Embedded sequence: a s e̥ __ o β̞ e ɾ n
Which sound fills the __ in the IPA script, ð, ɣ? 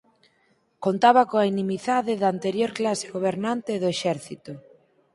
ɣ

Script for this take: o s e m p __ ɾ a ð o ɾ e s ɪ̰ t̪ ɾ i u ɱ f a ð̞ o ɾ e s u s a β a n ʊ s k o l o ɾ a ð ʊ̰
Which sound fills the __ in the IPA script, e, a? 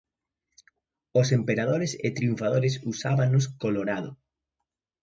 e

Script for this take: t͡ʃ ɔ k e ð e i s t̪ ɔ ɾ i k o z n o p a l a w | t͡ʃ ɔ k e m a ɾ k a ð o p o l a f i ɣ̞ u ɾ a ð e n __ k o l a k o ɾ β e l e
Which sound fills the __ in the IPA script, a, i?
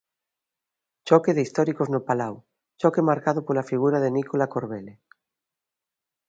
i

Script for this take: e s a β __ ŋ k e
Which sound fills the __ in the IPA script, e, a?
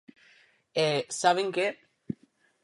e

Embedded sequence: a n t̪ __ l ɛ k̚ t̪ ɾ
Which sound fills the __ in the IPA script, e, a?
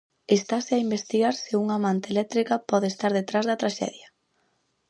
e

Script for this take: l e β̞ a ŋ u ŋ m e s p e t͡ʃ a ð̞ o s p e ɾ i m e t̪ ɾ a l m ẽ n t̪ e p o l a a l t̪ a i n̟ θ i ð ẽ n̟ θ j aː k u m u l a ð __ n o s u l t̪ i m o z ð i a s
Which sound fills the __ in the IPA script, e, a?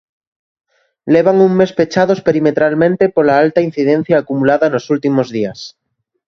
a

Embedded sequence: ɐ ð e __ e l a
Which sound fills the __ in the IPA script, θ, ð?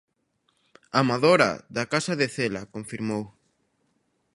θ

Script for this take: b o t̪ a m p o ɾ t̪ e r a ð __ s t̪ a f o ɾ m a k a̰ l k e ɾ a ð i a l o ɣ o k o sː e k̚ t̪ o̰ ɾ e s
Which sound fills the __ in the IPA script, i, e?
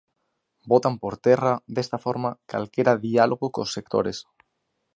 e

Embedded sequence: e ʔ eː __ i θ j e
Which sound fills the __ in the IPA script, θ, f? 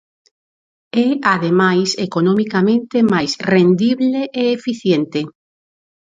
f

